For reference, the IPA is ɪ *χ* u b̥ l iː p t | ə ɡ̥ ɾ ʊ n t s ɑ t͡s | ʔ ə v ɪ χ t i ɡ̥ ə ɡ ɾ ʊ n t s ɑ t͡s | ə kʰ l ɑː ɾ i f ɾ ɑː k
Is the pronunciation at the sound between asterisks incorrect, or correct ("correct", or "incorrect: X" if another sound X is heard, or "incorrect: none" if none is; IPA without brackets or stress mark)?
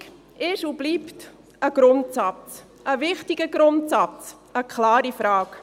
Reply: incorrect: ʃ